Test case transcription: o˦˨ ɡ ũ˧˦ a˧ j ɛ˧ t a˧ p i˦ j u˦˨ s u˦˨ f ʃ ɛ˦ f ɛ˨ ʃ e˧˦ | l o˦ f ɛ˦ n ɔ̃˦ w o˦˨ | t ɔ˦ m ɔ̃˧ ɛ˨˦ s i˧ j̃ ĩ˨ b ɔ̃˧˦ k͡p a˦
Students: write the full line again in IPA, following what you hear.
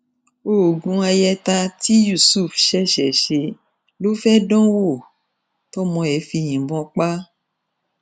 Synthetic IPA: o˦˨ ɡ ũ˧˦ a˧ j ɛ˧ t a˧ t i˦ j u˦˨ s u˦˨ f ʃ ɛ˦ ʃ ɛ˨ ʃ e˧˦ | l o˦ f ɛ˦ d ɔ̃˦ w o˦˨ | t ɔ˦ m ɔ̃˧ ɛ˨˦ f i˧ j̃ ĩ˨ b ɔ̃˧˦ k͡p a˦